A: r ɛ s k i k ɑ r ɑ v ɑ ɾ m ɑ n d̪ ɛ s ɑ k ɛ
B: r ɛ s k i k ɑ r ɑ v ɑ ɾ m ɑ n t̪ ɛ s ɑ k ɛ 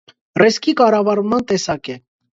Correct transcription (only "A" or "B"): B